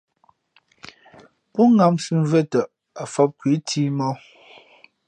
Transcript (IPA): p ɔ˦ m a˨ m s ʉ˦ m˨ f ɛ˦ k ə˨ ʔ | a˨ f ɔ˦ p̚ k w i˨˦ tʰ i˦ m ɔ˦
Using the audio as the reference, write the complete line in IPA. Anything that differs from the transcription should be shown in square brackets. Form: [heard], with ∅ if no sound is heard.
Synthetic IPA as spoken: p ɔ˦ [ŋ] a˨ m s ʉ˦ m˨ [v] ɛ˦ [t] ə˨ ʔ | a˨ f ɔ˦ p̚ k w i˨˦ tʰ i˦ m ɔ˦